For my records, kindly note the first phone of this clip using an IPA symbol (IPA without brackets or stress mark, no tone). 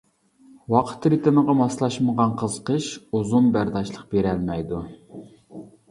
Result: w